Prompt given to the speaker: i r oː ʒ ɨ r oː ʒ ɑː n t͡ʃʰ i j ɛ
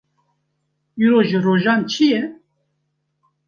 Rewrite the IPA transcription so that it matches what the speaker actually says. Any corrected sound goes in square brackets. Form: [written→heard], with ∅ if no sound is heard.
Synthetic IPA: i [r→ɾ] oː ʒ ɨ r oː ʒ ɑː n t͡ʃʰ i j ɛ